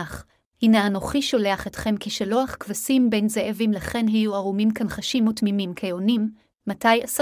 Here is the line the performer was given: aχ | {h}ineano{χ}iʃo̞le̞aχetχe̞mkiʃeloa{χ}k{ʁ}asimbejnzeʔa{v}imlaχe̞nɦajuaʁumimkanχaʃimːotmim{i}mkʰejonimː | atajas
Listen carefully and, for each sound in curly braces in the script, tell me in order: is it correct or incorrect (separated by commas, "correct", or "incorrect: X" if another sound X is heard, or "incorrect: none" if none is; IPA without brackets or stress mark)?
correct, correct, correct, incorrect: v, correct, correct